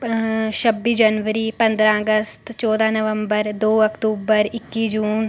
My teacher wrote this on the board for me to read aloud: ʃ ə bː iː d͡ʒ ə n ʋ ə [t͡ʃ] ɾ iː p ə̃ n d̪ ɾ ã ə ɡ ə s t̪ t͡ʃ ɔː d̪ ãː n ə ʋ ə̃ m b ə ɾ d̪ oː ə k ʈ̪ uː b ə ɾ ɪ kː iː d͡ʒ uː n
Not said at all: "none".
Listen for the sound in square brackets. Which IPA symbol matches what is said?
none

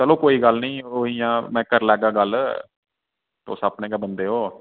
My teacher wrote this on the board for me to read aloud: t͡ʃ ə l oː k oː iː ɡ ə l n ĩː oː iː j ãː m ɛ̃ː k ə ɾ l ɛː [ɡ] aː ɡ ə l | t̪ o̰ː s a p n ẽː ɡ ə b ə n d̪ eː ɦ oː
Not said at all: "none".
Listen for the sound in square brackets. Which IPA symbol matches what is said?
ɡ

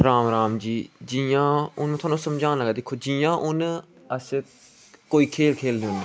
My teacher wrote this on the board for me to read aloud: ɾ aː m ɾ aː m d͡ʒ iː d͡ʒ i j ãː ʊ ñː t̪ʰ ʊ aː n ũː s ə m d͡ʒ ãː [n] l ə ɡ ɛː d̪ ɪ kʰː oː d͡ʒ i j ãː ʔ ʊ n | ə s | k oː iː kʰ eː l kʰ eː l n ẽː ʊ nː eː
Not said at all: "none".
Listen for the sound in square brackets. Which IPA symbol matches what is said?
n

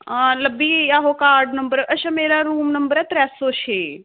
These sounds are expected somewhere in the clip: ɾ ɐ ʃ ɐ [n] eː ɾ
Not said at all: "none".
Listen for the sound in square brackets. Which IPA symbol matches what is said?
m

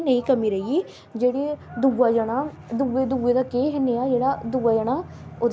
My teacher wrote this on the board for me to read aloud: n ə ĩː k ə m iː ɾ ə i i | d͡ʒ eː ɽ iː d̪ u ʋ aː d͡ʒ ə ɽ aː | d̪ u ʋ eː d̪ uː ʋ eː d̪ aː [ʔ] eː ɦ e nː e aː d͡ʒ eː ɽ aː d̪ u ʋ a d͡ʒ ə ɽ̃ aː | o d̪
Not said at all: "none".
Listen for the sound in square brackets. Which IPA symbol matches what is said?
k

